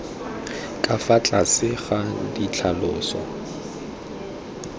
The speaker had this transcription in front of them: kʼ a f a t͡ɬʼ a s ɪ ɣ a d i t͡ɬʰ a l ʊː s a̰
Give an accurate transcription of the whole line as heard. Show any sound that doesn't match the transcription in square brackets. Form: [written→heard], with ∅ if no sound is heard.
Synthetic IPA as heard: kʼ a f a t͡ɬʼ a s ɪ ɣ a d i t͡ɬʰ a l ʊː s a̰